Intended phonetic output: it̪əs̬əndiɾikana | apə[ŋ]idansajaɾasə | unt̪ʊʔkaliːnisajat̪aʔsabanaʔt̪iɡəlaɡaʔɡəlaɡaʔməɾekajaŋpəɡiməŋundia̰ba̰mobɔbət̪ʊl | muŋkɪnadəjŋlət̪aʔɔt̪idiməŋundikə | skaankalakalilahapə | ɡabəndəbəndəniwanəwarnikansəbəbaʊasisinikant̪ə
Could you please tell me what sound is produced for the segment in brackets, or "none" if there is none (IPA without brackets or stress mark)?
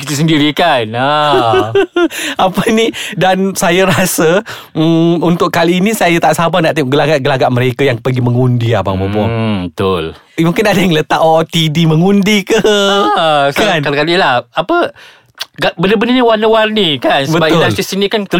n